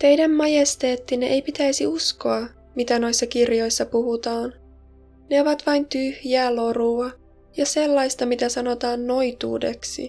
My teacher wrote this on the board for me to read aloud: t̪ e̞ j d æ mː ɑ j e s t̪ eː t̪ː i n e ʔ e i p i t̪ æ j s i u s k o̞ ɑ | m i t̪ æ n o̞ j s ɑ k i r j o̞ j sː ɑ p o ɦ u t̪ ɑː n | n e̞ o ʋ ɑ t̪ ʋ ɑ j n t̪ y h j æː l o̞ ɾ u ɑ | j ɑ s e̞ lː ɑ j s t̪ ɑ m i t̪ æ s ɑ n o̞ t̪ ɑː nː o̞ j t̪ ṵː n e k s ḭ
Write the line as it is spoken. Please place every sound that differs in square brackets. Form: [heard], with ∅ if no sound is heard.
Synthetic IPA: t̪ e̞ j d æ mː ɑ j e s t̪ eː t̪ː i n e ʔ e [j] p i t̪ æ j s i u s k o̞ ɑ | m i t̪ æ n o̞ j [sː] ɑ k i r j o̞ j sː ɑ p [u] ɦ u t̪ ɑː n | n e̞ o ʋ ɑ t̪ ʋ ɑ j n t̪ y h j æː l o̞ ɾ u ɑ | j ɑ s e̞ lː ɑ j s t̪ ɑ m i t̪ æ s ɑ n o̞ t̪ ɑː nː o̞ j t̪ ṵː [d] e k s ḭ